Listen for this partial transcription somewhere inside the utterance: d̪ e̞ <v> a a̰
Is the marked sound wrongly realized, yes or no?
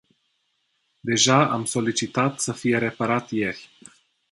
yes